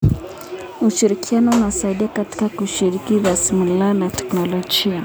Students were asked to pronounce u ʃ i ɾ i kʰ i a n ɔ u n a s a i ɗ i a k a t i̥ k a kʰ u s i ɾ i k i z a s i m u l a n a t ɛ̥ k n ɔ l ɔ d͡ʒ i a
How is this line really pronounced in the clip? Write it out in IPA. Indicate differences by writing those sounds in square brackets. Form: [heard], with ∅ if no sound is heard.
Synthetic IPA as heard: u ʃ i ɾ i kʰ i a n ɔ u n a s a i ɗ i a k a t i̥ k a [k] u [ʃ] i ɾ i k i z a s i m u l a n a t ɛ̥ k n ɔ l ɔ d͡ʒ i a